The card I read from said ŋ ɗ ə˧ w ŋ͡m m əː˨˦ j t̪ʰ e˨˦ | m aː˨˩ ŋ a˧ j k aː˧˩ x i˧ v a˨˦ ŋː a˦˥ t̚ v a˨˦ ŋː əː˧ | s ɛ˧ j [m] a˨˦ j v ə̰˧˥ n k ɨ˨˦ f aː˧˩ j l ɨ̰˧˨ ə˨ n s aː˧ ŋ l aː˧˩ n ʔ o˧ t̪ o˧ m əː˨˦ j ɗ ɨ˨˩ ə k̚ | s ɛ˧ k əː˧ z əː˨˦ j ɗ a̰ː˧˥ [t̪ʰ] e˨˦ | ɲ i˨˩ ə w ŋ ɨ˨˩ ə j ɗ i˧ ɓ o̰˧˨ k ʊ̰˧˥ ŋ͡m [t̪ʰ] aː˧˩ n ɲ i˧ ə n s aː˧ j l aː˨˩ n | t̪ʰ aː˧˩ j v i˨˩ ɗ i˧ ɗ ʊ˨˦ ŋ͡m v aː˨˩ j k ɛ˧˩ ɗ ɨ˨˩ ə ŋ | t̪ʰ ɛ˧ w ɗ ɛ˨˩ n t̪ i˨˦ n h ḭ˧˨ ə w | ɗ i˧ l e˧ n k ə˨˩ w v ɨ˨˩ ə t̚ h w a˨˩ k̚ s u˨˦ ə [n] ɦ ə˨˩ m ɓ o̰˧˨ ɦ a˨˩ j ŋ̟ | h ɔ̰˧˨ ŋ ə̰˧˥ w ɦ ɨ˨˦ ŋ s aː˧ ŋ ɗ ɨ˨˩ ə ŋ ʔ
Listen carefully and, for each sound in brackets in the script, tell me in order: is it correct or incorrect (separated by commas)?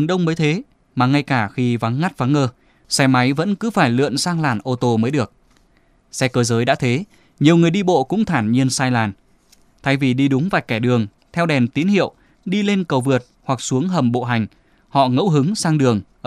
correct, correct, correct, incorrect